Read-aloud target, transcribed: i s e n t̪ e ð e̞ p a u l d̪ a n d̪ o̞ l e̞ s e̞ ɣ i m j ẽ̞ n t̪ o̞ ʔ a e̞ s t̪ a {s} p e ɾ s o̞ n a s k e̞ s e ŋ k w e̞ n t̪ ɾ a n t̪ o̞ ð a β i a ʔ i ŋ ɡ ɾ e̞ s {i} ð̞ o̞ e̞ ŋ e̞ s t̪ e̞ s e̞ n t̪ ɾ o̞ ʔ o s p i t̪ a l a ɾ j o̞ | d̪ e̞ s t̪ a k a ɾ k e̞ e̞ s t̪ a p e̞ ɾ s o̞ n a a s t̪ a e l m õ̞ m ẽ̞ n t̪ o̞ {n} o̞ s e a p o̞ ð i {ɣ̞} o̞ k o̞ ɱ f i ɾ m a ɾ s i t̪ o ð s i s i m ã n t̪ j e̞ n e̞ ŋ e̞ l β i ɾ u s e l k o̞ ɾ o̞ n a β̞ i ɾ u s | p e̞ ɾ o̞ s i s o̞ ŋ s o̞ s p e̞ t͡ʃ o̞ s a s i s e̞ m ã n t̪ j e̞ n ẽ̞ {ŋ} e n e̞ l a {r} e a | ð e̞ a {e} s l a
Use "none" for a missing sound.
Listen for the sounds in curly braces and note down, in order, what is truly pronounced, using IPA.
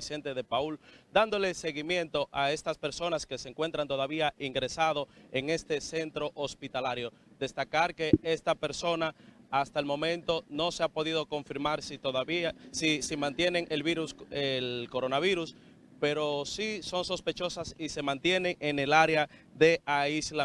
s, a, n, ð̞, ŋ, ɾ, i

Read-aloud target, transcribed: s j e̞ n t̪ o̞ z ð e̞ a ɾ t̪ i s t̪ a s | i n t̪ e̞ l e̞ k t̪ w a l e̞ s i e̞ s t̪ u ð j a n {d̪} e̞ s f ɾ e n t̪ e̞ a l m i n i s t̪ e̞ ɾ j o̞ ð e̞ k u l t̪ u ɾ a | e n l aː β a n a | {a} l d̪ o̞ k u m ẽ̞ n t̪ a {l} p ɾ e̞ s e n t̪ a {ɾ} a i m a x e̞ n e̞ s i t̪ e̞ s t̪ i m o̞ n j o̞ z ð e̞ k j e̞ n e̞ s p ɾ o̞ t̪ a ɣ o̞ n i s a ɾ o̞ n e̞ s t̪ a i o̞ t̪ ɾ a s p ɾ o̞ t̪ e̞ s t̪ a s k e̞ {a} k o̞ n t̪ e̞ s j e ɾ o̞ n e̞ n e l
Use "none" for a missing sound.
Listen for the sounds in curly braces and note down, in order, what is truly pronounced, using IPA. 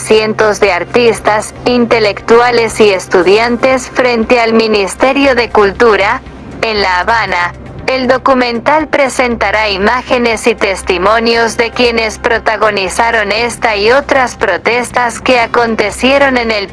t̪, e, l, ɾ, a

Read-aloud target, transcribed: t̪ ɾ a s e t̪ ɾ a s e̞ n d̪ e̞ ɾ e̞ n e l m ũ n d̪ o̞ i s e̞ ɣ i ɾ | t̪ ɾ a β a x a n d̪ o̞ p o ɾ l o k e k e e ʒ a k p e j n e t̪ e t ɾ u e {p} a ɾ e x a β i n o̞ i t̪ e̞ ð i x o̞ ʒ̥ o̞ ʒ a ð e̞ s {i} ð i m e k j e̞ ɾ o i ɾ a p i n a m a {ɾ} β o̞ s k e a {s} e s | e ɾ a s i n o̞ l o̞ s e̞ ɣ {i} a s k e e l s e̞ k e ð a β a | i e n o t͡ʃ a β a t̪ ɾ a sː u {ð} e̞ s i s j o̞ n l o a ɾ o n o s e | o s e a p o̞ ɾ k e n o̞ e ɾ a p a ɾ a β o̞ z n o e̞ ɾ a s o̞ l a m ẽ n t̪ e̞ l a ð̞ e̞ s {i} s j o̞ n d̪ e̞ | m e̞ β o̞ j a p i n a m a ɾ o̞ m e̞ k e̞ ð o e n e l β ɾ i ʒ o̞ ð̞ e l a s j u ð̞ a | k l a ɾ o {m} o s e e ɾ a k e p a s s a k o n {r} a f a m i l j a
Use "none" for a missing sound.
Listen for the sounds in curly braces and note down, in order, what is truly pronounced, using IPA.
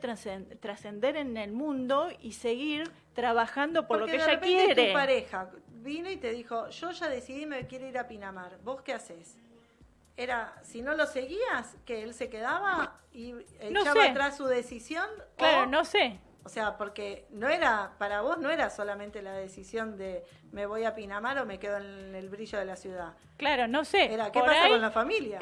p, i, ɾ, s, i, ð, i, n, l

